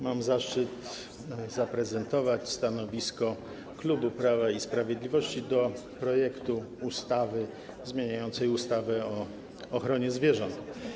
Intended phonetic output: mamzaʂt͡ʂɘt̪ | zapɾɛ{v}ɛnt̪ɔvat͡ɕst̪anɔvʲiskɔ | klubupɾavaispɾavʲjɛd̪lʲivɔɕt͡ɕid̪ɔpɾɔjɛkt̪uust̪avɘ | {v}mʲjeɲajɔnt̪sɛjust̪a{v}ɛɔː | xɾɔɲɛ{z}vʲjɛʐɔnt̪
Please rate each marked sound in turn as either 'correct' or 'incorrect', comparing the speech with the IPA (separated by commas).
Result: incorrect, incorrect, correct, correct